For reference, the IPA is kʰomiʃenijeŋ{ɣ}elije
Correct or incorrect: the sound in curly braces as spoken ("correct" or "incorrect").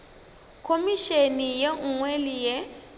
incorrect